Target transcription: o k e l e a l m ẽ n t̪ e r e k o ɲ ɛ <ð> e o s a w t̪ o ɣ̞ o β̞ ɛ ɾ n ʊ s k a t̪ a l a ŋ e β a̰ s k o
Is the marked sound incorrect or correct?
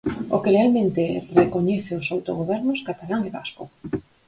incorrect